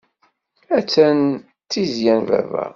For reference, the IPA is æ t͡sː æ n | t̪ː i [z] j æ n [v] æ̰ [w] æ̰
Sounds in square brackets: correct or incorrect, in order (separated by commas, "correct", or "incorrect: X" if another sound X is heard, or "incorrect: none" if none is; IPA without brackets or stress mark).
correct, correct, incorrect: v